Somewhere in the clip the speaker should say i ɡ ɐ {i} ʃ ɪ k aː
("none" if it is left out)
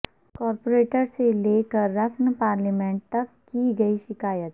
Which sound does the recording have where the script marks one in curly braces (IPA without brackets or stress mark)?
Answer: i